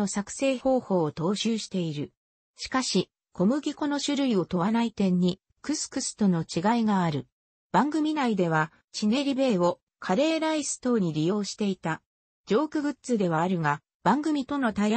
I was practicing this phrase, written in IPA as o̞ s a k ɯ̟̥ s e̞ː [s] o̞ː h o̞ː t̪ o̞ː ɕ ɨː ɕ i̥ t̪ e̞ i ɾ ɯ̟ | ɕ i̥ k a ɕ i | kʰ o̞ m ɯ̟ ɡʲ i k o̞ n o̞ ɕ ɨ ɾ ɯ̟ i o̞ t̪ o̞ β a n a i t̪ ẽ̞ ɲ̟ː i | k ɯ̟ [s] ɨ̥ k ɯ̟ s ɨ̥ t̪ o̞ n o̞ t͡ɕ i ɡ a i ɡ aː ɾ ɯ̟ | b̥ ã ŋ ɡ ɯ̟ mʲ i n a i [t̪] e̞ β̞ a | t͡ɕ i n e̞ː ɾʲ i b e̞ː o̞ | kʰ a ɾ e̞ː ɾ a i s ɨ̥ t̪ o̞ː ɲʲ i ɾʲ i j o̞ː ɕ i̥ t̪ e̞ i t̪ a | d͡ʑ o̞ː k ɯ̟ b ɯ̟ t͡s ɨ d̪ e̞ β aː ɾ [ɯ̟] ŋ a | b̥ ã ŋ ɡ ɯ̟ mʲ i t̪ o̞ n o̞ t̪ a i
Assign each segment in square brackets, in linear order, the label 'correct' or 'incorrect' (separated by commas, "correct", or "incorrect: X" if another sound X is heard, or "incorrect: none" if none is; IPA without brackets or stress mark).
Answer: incorrect: h, correct, incorrect: d̪, correct